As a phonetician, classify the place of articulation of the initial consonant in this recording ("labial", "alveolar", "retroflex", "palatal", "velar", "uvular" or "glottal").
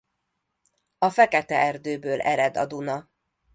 labial